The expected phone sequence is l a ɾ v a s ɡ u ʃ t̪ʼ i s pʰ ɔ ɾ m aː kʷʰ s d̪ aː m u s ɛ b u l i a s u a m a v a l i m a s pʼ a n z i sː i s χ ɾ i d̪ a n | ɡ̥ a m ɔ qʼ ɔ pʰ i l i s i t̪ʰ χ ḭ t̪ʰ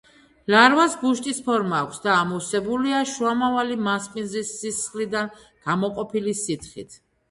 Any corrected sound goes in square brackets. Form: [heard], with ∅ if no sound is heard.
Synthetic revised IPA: l a ɾ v a s ɡ u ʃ t̪ʼ i s pʰ ɔ ɾ m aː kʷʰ s d̪ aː m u s ɛ b u l i a [ʃ] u a m a v a l i m a s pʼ [i] n z i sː i s χ [l] i d̪ a n | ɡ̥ a m ɔ qʼ ɔ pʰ i l i s i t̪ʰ χ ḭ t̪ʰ